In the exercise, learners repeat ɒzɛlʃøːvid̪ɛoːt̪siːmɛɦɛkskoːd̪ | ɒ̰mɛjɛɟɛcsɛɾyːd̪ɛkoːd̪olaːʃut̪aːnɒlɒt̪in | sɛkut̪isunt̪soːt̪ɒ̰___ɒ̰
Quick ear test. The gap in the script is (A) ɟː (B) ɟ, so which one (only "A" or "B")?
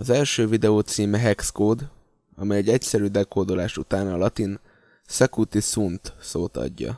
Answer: A